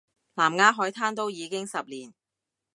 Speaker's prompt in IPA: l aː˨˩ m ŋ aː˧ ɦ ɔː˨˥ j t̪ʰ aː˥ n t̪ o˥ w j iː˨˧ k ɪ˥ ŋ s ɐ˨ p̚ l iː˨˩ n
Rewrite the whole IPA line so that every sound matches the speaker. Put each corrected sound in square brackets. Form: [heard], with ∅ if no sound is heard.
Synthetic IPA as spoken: l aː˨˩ m ŋ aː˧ ɦ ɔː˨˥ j t̪ʰ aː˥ n t̪ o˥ w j iː˨˧ k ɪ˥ ŋ s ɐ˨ p̚ l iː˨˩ n